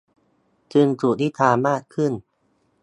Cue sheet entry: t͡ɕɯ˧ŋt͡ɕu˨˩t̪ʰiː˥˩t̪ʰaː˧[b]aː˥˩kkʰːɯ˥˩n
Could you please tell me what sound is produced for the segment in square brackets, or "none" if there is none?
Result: m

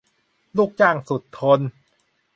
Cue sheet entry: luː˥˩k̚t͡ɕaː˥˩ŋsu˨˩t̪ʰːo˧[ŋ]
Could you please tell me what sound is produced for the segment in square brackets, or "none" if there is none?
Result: n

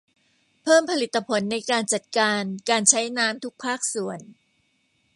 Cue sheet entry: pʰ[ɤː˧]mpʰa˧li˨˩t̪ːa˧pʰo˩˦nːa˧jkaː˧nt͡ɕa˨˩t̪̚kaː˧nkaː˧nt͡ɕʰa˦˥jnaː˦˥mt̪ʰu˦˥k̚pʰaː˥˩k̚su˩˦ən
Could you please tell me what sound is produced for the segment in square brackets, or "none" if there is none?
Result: ɤː˥˩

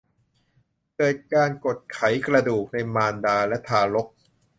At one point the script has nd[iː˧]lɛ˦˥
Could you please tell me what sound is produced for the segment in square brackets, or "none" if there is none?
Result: aː˧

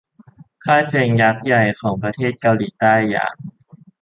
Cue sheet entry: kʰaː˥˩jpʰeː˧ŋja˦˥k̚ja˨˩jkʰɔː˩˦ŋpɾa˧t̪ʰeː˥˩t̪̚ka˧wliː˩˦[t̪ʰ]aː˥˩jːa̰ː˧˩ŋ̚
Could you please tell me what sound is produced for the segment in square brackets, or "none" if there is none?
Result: t̪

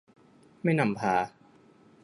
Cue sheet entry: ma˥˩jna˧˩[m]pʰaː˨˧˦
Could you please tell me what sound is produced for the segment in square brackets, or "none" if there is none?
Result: m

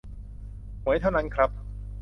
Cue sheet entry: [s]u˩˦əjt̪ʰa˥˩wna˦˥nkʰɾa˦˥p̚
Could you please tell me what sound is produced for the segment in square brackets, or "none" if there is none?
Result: h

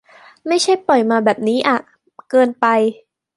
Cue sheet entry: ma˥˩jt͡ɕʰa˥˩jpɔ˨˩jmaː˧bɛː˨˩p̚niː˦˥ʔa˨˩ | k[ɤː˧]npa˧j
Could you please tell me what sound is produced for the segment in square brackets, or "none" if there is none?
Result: ɤː˧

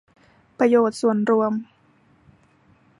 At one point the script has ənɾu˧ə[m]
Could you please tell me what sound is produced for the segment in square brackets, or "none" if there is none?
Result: m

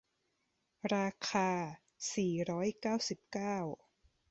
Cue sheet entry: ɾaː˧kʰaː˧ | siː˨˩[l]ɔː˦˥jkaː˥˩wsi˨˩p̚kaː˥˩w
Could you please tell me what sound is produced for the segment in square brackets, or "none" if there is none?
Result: ɾ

